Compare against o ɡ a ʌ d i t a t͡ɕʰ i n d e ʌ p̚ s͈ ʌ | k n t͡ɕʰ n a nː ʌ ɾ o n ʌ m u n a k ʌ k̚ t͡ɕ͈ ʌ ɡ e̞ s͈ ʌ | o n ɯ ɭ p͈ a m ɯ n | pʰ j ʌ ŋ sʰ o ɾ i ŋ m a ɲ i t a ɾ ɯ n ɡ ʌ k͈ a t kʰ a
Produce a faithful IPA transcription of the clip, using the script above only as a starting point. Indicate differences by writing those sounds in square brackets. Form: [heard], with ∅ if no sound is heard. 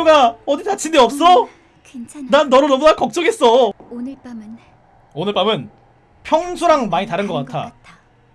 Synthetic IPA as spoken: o ɡ a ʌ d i t a t͡ɕʰ i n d e ʌ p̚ s͈ ʌ | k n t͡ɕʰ n a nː ʌ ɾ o n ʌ m u n a k ʌ k̚ t͡ɕ͈ ʌ ɡ e̞ s͈ ʌ | o n ɯ ɭ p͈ a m ɯ n | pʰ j ʌ ŋ sʰ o ɾ [a] ŋ m a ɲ i t a ɾ ɯ n ɡ ʌ k͈ a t [tʰ] a

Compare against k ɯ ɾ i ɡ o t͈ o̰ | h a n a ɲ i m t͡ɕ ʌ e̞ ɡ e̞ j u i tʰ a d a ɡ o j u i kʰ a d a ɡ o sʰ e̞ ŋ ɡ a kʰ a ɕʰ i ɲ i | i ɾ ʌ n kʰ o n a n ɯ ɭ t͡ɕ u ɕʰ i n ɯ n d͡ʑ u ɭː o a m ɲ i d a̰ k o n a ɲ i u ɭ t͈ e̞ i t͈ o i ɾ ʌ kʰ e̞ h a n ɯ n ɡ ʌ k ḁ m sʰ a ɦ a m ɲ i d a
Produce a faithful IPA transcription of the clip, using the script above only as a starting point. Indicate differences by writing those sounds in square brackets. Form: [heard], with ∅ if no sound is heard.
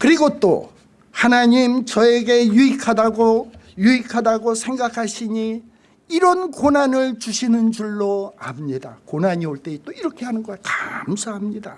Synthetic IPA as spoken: k ɯ ɾ i ɡ o t͈ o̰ | h a n a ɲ i m t͡ɕ ʌ e̞ ɡ e̞ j u i [kʰ] a d a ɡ o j u i kʰ a d a ɡ o sʰ e̞ ŋ ɡ a kʰ a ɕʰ i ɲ i | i ɾ ʌ n [k] o n a n ɯ ɭ t͡ɕ u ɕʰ i n ɯ n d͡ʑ u ɭː o a m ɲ i d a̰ k o n a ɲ i [o] ɭ t͈ e̞ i t͈ o i ɾ ʌ kʰ e̞ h a n ɯ n ɡ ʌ k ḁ m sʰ a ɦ a m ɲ i d a

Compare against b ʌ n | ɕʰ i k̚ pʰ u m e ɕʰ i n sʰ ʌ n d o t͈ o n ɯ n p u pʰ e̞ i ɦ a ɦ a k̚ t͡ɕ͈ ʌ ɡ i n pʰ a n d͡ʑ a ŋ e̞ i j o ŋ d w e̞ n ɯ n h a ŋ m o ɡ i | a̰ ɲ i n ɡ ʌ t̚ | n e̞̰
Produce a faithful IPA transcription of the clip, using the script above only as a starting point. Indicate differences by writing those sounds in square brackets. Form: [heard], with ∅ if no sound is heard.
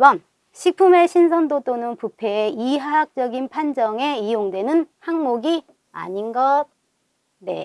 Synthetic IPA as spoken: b ʌ n | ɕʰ i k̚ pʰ u m e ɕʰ i n sʰ ʌ n d o t͈ o n ɯ n p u pʰ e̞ i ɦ a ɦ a k̚ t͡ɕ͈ ʌ ɡ i n pʰ a n d͡ʑ [ʌ] ŋ e̞ i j o ŋ d w e̞ n ɯ n h a ŋ m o ɡ i | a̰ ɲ i n ɡ ʌ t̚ | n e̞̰

